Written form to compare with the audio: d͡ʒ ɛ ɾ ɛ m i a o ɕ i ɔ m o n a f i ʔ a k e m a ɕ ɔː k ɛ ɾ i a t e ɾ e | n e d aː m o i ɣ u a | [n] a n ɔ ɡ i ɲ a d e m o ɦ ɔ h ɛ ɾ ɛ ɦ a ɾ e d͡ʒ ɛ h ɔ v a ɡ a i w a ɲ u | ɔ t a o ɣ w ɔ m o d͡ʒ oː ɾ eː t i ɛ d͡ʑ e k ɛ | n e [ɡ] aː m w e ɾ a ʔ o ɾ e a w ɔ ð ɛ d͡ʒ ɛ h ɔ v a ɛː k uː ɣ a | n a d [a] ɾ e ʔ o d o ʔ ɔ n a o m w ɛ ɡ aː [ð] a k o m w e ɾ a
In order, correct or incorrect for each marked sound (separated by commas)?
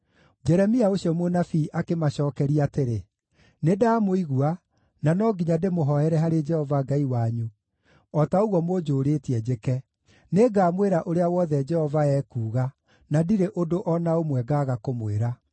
correct, correct, incorrect, incorrect